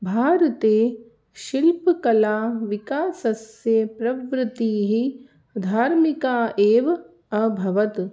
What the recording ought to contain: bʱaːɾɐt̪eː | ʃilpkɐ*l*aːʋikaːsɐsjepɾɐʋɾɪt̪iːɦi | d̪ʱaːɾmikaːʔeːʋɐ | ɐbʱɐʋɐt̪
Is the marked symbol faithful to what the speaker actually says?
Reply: yes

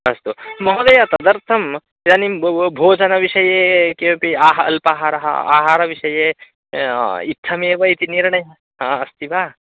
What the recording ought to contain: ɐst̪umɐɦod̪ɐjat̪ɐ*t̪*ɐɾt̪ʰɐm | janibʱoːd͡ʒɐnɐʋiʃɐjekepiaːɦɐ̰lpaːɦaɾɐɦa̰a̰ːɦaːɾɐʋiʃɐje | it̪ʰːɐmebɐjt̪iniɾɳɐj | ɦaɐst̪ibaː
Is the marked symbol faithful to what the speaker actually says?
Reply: no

